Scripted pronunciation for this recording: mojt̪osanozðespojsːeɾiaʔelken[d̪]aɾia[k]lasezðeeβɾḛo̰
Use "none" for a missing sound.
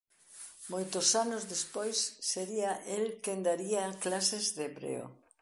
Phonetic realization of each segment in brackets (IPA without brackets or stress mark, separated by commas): d̪, k